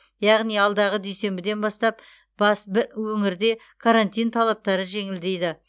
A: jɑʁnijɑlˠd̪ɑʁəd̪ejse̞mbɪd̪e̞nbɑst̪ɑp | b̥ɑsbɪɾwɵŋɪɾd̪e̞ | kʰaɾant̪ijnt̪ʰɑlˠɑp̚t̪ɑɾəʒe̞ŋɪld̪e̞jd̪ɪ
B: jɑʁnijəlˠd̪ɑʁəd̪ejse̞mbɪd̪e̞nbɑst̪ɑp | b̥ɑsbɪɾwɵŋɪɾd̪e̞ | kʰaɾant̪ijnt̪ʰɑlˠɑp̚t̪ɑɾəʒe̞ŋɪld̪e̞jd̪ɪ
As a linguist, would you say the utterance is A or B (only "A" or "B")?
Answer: A